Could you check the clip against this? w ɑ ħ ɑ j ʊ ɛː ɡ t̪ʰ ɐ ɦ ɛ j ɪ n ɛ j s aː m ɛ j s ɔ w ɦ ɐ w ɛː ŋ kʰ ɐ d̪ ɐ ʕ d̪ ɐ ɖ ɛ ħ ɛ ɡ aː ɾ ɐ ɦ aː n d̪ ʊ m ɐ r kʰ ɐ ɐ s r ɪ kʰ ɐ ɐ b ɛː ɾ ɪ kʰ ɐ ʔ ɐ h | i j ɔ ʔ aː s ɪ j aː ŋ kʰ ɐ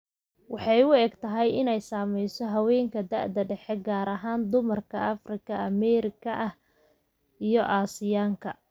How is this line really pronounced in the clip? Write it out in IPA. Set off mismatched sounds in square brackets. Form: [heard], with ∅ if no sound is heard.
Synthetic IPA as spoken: w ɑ ħ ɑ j ʊ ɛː ɡ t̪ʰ ɐ ɦ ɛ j ɪ n ɛ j s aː m ɛ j s ɔ [∅] ɦ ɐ w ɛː ŋ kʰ ɐ d̪ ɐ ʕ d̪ ɐ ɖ ɛ ħ ɛ ɡ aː ɾ ɐ ɦ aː n d̪ ʊ m ɐ r kʰ ɐ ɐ [f] r ɪ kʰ ɐ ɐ [m] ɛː ɾ ɪ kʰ ɐ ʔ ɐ h | i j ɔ ʔ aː s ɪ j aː ŋ kʰ ɐ